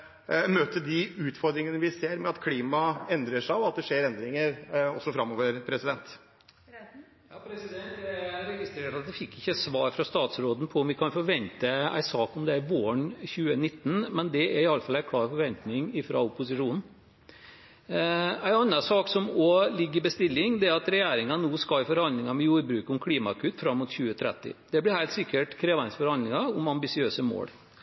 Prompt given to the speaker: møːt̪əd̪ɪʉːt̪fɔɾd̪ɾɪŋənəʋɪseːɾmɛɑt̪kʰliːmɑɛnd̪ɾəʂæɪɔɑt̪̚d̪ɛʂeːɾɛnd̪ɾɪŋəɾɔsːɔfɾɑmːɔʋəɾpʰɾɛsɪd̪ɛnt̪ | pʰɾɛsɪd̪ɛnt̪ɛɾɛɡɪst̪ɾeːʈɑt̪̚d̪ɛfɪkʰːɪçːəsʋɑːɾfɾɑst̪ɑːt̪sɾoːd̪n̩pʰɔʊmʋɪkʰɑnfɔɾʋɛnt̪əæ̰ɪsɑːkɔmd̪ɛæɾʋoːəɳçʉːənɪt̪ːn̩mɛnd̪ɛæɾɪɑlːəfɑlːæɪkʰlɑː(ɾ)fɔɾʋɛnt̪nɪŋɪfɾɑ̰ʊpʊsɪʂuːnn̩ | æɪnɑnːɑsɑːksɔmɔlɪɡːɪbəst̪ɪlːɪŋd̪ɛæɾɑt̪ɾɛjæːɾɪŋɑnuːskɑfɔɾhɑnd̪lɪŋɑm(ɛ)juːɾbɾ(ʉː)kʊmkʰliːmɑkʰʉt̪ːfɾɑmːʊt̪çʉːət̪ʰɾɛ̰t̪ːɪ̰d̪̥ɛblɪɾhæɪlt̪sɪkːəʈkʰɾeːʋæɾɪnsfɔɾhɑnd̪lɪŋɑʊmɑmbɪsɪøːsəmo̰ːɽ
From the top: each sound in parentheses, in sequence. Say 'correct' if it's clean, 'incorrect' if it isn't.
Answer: correct, correct, correct

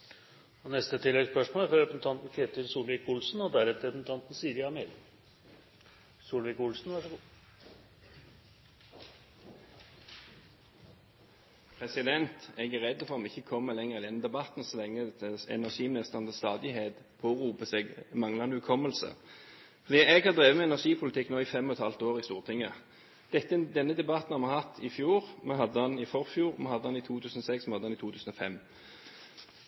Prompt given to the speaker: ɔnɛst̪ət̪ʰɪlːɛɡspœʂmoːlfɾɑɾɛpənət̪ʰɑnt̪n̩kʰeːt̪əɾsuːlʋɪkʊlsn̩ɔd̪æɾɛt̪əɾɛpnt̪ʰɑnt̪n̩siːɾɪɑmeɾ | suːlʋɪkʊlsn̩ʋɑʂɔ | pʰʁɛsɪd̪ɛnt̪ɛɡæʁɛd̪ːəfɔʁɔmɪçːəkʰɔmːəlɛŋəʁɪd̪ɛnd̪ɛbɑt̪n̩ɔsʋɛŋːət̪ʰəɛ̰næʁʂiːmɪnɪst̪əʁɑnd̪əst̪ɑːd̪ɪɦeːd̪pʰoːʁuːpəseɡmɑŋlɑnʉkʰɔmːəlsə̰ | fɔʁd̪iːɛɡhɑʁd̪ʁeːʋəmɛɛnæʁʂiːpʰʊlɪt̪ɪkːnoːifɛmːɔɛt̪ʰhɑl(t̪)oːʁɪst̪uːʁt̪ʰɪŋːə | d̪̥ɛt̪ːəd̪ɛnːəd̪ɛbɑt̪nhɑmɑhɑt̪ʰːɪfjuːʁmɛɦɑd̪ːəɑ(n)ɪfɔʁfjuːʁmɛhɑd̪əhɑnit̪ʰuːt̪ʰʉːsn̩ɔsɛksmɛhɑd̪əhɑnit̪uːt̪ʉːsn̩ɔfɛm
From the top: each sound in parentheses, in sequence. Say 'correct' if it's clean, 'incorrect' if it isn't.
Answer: correct, correct

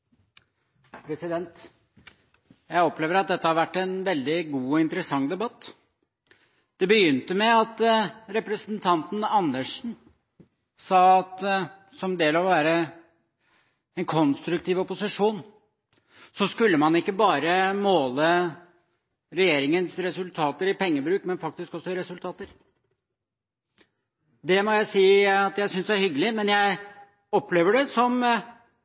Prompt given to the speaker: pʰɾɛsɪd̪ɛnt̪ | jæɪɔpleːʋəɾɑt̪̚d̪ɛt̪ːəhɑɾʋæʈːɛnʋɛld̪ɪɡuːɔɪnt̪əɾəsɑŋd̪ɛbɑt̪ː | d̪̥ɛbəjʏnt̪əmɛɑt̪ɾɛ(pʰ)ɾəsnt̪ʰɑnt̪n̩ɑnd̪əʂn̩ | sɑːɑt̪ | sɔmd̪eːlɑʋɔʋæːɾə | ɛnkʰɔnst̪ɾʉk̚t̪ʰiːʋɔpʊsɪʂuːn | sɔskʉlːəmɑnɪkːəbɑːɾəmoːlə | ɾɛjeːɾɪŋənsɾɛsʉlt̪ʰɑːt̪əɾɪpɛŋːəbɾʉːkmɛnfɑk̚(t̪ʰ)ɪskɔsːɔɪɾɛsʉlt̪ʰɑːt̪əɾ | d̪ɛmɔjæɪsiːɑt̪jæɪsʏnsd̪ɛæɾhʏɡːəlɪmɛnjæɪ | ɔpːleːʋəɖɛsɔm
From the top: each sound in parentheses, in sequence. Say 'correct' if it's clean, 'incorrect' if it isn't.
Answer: incorrect: p, incorrect: t̪

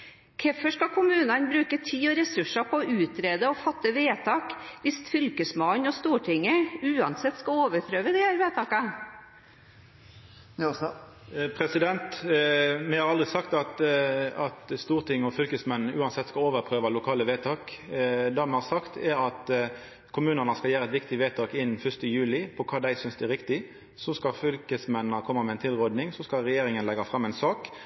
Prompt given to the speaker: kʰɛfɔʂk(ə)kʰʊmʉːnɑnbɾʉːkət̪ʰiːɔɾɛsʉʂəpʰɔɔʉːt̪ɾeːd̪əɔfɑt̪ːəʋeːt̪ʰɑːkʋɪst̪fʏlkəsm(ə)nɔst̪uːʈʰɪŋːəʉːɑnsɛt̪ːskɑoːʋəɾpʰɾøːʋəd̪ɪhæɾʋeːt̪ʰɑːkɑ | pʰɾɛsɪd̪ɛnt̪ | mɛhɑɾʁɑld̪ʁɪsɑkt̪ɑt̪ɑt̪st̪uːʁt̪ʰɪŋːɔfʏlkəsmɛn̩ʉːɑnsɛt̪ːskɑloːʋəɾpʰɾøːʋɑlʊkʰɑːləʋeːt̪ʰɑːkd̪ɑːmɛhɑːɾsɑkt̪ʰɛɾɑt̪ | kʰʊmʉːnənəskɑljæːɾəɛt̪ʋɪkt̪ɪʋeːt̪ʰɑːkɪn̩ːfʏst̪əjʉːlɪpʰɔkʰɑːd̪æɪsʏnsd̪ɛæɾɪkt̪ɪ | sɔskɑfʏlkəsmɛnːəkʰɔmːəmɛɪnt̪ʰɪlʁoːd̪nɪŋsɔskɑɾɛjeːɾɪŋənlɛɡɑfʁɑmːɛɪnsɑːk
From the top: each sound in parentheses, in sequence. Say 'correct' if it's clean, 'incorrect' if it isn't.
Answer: incorrect: ɑ, incorrect: ɑ

